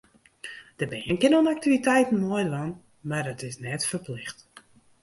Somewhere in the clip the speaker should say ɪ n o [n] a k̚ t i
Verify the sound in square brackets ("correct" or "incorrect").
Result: correct